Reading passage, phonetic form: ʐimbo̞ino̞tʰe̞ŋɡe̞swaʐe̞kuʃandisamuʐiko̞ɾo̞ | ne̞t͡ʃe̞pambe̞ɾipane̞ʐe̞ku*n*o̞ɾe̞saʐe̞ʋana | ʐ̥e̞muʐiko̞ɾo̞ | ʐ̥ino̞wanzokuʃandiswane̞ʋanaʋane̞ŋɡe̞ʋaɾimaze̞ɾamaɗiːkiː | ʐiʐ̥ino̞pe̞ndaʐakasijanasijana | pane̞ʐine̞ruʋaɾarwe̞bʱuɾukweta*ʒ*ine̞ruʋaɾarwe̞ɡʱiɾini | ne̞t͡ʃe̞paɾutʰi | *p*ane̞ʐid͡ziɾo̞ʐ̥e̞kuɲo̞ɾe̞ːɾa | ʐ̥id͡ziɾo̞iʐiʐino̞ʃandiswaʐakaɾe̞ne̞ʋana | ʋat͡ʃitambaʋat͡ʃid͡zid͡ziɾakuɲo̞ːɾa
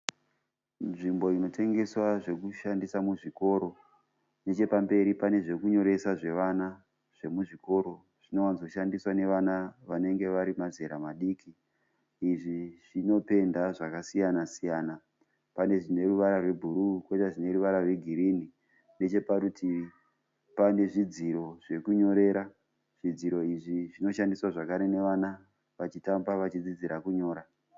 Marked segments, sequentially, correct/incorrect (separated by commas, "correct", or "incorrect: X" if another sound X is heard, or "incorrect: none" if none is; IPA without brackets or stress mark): incorrect: ɲ, incorrect: ʐ, correct